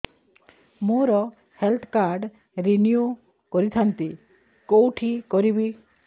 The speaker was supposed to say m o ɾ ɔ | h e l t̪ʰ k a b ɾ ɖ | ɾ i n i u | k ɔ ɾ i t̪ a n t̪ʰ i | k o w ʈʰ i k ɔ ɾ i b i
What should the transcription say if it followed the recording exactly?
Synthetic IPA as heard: m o ɾ ɔ | h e l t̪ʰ k a ɾ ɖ | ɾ i n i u | k ɔ ɾ i t̪ʰ a n t̪ i | k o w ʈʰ i k ɔ ɾ i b i

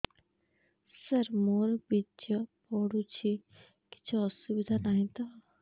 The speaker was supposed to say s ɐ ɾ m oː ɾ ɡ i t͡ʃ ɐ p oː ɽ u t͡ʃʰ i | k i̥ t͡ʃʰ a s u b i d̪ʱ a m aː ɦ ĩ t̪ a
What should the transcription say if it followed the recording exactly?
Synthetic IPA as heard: s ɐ ɾ m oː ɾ b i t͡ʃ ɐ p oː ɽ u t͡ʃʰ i | k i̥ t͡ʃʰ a s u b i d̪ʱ a n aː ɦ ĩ t̪ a

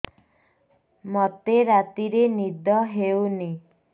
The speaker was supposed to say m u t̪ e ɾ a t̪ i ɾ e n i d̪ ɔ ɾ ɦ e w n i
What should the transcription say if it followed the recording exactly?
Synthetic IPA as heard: m ɔ t̪ e ɾ a t̪ i ɾ e n i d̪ ɔ ɦ e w n i

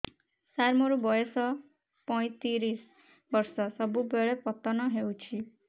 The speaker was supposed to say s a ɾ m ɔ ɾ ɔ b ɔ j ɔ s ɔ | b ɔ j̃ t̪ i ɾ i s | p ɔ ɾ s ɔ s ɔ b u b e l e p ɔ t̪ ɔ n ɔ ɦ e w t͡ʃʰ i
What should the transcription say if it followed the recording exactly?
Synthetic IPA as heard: s a ɾ m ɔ ɾ u b ɔ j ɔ s ɔ | p ɔ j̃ t̪ i ɾ i s | b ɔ ɾ s ɔ s ɔ b u b e ɭ e p ɔ t̪ ɔ n ɔ ɦ e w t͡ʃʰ i

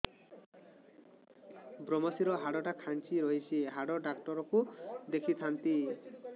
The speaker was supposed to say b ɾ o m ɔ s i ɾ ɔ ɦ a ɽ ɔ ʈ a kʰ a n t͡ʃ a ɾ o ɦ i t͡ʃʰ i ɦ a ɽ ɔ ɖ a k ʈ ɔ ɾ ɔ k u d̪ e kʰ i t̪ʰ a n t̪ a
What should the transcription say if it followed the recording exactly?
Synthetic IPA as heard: b ɾ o m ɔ s i ɾ ɔ ɦ a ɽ ɔ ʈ a kʰ a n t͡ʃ i ɾ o ɦ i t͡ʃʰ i ɦ a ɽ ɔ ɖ a k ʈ ɔ ɾ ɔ k u d̪ e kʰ i t̪ʰ a n t̪ i

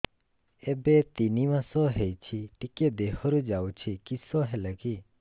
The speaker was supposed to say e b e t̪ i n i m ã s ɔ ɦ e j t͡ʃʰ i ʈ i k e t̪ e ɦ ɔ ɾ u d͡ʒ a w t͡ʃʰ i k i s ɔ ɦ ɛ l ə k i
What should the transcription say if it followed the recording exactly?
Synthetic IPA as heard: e b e t̪ i n i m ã s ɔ ɦ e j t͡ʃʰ i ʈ i k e d̪ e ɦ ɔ ɾ u d͡ʒ a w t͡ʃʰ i k i s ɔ ɦ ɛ l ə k i

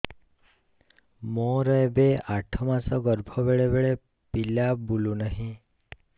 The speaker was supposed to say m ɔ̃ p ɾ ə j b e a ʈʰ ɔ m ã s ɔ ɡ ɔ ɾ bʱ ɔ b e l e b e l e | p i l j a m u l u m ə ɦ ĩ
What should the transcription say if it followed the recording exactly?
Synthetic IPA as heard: m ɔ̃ ɾ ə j b e a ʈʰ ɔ m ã s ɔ ɡ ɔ ɾ bʱ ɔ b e ɭ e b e ɭ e | p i l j a b u l u n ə ɦ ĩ

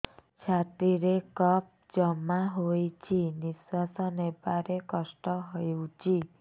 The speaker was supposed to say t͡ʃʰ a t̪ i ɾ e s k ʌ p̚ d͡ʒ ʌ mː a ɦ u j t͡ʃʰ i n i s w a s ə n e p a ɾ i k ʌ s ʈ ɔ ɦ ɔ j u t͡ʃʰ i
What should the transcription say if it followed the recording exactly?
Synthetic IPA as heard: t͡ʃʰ a t̪ i ɾ e k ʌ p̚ d͡ʒ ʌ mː a ɦ o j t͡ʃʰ i n i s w a s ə n e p a ɾ e k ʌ s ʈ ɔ ɦ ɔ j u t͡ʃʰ i

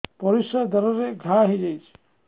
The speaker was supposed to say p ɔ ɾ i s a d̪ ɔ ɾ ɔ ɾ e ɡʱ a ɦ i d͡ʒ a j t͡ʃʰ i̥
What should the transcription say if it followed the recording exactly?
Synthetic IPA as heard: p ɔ ɾ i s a d̪ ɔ ɾ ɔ ɾ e ɡʱ a ɦ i d͡ʒ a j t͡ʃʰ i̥

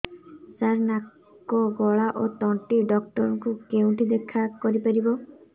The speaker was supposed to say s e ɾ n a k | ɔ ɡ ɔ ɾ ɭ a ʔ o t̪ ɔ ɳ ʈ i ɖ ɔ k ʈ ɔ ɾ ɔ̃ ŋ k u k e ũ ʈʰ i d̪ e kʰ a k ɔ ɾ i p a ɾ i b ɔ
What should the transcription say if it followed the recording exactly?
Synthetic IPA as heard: s a ɾ n a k | ɔ ɡ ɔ ɭ a ʔ o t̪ ɔ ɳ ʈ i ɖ ɔ k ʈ ɔ ɾ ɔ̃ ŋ k u k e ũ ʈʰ i d̪ e kʰ a k ɔ ɾ i p a ɾ i b ɔ

